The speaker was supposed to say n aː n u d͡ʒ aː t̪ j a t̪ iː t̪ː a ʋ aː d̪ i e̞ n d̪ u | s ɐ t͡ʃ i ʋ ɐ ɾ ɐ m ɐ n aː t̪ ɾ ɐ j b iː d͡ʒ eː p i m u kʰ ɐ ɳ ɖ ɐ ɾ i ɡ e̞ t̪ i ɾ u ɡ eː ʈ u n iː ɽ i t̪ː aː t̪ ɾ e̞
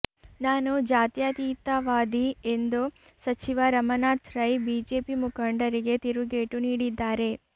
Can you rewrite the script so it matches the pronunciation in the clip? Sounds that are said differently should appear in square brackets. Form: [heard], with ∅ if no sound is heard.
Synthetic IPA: n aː n u d͡ʒ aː t̪ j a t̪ iː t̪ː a ʋ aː d̪ i e̞ n d̪ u | s ɐ t͡ʃ i ʋ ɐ ɾ ɐ m ɐ n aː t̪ ɾ ɐ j b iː d͡ʒ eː p i m u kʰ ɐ ɳ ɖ ɐ ɾ i ɡ e̞ t̪ i ɾ u ɡ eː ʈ u n iː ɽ i [d̪ː] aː [∅] ɾ e̞